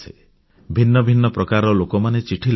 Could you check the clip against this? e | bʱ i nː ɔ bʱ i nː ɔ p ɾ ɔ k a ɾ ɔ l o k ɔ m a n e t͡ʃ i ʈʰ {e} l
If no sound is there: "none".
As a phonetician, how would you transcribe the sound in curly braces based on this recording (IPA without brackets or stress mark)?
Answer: i